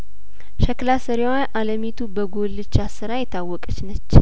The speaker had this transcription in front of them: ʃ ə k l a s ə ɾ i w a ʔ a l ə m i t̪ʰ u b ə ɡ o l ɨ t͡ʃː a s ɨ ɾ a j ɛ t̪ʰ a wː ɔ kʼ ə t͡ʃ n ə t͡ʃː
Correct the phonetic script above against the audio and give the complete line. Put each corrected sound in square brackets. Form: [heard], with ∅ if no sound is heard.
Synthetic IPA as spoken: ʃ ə k l a s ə ɾ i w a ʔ a l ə m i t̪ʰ u b ə ɡ o l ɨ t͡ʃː a s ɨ ɾ a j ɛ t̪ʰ a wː ɔ kʼ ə t͡ʃ n ə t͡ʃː